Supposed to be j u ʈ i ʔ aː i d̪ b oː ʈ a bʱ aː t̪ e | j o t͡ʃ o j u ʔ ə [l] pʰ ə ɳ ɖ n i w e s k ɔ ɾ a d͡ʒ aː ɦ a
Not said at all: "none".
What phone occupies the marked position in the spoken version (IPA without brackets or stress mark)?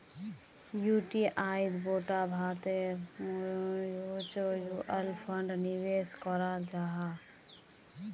l